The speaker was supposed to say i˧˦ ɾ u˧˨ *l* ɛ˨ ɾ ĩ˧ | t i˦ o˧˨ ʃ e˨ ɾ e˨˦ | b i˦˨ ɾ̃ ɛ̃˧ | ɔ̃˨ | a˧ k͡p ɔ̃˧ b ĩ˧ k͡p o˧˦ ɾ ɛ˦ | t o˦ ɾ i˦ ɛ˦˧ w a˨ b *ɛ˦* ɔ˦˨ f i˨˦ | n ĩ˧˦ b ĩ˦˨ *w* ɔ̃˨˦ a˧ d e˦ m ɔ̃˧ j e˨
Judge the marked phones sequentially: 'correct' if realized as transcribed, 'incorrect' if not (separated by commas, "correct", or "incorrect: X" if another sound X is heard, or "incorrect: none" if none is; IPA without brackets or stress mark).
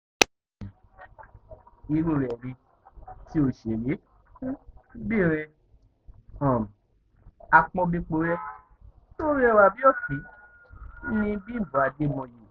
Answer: incorrect: ɾ, incorrect: i˦, incorrect: b